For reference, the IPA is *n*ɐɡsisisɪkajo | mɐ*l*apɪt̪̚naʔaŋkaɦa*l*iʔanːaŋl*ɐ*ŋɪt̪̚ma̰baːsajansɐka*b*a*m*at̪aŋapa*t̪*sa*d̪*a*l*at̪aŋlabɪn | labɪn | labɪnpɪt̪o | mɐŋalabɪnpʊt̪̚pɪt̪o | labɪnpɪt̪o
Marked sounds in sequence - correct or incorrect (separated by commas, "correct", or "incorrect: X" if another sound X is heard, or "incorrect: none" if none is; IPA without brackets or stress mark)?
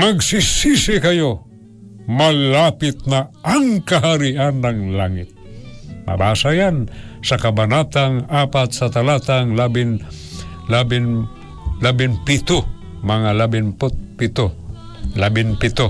incorrect: m, correct, incorrect: ɾ, incorrect: a, correct, incorrect: n, correct, incorrect: t̪, correct